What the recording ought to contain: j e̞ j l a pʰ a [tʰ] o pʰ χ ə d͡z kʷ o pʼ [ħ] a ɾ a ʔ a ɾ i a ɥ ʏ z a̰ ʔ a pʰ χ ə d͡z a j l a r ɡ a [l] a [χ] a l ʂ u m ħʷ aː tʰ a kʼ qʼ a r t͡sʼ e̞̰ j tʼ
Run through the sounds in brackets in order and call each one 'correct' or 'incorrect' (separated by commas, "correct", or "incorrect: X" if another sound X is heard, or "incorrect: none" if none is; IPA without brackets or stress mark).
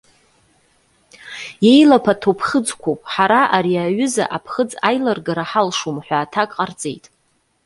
correct, correct, incorrect: ɾ, incorrect: ħ